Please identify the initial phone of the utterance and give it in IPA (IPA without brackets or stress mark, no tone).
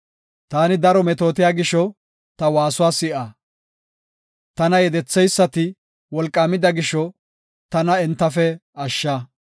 t̪